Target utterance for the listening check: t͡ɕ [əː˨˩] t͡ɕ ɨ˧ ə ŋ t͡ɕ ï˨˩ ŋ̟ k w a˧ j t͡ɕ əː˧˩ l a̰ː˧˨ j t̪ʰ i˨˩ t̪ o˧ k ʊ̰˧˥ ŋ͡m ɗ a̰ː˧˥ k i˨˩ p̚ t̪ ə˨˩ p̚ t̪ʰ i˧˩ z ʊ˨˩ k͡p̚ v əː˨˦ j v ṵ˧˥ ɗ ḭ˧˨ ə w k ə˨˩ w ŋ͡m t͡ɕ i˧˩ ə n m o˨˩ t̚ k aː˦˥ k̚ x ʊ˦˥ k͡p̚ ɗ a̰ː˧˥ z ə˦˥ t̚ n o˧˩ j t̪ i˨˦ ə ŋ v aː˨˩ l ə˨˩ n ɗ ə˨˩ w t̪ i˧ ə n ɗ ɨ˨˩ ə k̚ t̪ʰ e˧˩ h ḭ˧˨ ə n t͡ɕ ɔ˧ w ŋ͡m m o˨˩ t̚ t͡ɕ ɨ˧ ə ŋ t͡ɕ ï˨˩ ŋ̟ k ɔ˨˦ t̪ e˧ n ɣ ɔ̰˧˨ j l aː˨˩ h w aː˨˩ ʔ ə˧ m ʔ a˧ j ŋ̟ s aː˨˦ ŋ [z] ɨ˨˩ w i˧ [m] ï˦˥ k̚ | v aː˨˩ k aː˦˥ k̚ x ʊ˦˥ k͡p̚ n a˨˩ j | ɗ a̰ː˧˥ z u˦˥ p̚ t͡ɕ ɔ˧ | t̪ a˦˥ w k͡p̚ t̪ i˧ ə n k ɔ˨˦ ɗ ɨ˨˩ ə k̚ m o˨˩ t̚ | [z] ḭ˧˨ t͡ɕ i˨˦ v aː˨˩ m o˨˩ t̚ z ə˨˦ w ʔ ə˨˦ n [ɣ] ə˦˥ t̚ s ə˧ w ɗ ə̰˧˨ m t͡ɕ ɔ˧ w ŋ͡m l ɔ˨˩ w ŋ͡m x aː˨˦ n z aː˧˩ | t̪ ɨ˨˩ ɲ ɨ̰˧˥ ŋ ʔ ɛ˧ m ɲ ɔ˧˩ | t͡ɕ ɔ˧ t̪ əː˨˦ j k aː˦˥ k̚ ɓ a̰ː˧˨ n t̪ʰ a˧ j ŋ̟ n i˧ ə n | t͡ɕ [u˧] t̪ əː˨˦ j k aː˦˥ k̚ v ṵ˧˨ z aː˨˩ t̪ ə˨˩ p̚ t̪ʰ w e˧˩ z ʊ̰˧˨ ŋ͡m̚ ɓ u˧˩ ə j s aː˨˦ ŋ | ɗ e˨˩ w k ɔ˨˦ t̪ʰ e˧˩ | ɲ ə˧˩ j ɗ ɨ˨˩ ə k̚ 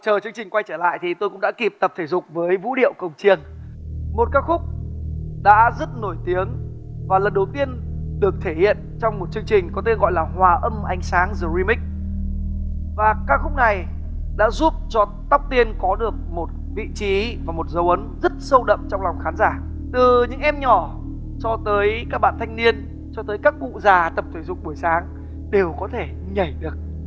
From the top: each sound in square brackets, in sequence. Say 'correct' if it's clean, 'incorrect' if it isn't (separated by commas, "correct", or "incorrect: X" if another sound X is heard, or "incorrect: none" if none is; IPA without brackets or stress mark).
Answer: correct, correct, correct, incorrect: v, incorrect: z, incorrect: ɔ˧